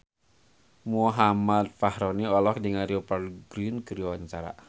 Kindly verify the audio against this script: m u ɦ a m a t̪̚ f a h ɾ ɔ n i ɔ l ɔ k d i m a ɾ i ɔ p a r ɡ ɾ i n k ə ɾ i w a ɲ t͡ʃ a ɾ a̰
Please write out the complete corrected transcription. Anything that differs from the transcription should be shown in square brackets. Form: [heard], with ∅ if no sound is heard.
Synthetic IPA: m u ɦ a m a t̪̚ f a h ɾ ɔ n i ɔ l ɔ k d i [ŋ] a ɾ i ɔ p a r ɡ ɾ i n k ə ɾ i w a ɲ t͡ʃ a ɾ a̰